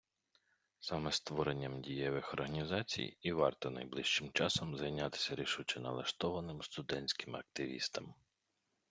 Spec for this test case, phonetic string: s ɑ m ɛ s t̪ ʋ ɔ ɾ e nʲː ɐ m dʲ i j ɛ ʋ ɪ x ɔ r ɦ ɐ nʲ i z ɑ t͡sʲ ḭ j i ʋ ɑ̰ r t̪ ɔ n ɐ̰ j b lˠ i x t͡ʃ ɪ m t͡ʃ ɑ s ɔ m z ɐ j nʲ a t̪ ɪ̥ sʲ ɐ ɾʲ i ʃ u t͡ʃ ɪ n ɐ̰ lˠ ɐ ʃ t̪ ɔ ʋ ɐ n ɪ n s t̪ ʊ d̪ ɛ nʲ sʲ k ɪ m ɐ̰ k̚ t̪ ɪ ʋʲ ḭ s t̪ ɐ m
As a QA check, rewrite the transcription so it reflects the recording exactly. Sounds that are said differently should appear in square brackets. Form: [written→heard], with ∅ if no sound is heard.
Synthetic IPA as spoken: s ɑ m ɛ s t̪ ʋ ɔ ɾ e nʲː ɐ m dʲ i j ɛ ʋ ɪ x ɔ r ɦ ɐ nʲ i z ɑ t͡sʲ ḭ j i ʋ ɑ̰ r t̪ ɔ n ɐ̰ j b lˠ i [x→ʃ] t͡ʃ ɪ m t͡ʃ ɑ s ɔ m z ɐ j nʲ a t̪ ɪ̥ sʲ ɐ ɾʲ i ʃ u t͡ʃ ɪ n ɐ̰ lˠ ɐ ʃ t̪ ɔ ʋ ɐ n ɪ [n→m] s t̪ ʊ d̪ ɛ nʲ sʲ k ɪ m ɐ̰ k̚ t̪ ɪ ʋʲ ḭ s t̪ ɐ m